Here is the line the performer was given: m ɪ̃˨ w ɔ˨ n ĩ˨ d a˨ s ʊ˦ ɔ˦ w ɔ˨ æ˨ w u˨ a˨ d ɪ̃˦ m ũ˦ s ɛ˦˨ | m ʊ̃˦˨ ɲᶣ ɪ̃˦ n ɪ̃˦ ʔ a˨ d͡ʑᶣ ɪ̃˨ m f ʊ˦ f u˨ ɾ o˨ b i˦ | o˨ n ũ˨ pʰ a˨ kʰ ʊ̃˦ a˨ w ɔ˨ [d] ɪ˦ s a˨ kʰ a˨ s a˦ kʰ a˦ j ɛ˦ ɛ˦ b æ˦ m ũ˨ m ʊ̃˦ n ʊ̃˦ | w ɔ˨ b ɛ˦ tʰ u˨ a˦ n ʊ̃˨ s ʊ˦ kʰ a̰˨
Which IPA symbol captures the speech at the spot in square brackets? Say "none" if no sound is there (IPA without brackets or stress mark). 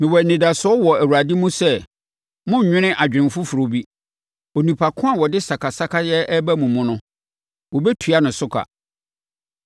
d